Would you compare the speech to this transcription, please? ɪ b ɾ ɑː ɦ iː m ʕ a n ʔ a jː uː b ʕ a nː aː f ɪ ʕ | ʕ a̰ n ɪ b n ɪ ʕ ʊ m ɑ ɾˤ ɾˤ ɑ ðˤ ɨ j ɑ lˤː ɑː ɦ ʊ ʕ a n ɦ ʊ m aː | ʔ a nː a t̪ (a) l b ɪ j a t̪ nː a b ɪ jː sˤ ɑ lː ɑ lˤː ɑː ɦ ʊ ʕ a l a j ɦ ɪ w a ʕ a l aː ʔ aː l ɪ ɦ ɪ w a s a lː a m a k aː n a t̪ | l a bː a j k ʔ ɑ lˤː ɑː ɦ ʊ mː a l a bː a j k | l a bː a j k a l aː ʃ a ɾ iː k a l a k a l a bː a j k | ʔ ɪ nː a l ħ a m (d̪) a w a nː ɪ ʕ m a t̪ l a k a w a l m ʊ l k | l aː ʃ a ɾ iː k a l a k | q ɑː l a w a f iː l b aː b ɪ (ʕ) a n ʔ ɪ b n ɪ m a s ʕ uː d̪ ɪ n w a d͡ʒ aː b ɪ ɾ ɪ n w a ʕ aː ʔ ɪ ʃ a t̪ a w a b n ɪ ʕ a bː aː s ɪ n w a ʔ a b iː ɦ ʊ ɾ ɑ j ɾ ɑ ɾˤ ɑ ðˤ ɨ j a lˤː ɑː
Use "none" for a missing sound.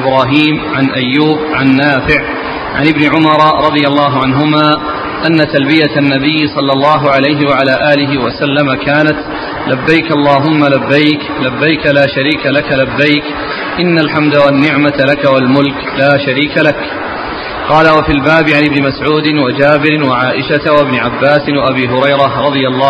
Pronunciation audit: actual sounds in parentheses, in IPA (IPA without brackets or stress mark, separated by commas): a, d̪, ʕ